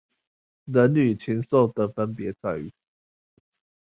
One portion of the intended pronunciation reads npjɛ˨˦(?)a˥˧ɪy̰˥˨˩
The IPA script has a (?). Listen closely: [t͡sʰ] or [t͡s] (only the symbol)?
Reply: t͡s